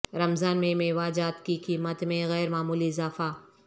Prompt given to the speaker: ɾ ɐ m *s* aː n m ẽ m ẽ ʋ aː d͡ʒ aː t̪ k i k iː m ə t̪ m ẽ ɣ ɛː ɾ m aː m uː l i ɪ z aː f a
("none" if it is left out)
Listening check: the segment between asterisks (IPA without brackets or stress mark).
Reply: z